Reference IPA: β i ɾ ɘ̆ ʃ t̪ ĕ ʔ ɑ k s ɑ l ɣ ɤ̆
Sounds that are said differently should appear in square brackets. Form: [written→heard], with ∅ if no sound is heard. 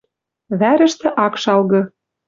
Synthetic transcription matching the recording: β [i→æ] ɾ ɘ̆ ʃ t̪ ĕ ʔ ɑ k [s→ʃ] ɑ l ɣ ɤ̆